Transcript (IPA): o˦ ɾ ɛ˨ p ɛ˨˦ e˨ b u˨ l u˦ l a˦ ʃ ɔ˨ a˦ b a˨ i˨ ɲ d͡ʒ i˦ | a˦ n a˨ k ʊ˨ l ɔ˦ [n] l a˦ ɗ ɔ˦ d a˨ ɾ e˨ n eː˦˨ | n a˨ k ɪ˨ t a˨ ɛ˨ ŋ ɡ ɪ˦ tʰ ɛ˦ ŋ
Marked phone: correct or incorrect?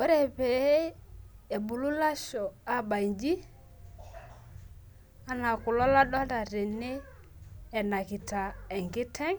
incorrect